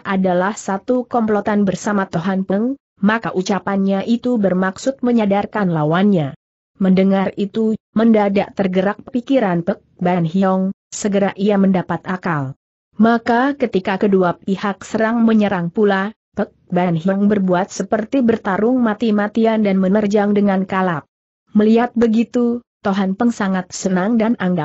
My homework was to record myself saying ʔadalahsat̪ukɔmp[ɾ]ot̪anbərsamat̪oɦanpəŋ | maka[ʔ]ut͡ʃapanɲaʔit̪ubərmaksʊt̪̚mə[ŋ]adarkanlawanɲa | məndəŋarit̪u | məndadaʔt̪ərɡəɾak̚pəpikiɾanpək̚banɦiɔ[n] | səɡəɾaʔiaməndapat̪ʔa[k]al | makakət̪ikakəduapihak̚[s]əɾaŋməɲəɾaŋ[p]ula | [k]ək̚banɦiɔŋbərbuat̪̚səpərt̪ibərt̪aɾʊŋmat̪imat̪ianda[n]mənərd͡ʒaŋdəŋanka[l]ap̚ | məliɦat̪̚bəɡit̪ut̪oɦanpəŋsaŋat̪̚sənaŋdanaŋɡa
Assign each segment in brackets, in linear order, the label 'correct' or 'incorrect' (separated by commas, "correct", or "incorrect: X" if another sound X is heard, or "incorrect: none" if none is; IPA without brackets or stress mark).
incorrect: l, correct, incorrect: ɲ, incorrect: ŋ, correct, correct, correct, incorrect: p, correct, correct